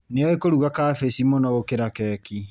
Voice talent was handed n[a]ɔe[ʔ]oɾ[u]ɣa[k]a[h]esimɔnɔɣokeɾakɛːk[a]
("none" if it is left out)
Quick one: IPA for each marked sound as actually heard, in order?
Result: e, k, u, k, f, i

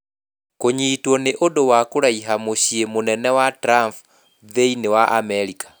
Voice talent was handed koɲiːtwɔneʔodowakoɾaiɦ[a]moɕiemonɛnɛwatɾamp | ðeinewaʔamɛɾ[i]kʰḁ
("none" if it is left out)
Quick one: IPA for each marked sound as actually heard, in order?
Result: a, i

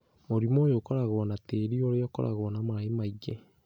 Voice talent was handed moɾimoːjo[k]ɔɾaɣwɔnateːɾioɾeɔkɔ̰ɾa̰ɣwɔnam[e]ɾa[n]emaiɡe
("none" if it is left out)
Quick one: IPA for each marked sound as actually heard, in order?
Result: k, a, none

